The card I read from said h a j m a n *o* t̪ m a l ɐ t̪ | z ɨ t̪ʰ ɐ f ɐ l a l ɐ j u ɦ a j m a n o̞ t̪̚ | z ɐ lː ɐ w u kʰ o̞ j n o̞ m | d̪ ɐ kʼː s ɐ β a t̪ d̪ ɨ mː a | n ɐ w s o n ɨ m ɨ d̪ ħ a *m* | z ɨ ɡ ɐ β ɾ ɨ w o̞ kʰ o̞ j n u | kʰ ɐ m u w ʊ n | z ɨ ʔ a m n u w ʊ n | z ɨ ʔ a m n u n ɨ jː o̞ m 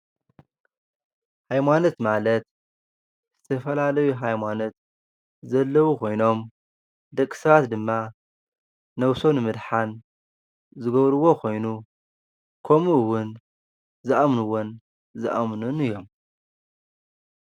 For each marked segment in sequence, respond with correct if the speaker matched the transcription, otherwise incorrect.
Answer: correct, incorrect: n

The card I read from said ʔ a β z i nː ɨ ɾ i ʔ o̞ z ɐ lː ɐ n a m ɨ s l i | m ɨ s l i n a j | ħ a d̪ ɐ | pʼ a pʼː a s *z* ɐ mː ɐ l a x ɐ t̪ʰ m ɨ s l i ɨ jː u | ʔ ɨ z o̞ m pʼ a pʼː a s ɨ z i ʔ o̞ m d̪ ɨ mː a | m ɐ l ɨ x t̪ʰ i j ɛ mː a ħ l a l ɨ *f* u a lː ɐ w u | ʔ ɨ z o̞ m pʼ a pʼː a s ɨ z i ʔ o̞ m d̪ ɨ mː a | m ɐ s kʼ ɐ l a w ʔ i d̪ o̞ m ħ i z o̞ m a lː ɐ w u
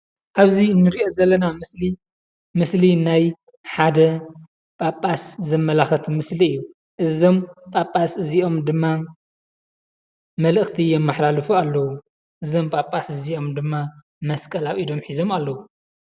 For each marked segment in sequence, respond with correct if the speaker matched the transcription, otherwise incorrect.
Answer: correct, correct

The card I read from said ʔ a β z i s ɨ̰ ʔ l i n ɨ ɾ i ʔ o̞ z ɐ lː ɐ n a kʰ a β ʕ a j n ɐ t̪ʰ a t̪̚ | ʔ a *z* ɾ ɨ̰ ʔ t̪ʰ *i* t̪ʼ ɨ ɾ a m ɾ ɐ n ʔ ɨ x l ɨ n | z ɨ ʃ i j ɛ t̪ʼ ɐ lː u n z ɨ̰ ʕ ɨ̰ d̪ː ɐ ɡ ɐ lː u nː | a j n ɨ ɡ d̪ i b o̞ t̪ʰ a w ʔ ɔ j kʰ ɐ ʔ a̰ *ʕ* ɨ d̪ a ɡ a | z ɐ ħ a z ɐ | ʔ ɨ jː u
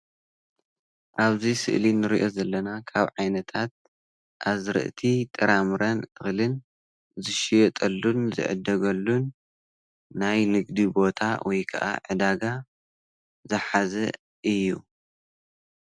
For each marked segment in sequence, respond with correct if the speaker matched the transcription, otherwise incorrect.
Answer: correct, correct, correct

